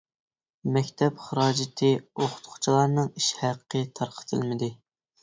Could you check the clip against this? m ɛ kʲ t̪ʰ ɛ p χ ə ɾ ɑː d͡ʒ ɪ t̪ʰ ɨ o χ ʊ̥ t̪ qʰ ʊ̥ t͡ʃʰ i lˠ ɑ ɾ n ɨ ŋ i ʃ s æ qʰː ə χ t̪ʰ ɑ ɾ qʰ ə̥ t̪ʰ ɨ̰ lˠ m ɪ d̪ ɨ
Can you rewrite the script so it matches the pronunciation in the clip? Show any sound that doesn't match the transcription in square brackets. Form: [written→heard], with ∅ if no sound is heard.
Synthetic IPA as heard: m ɛ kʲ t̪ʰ ɛ p χ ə ɾ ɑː d͡ʒ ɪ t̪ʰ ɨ o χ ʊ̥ t̪ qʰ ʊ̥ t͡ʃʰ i lˠ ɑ ɾ n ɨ ŋ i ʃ [s→h] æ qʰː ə [χ→∅] t̪ʰ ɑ ɾ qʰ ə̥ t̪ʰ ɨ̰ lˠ m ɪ d̪ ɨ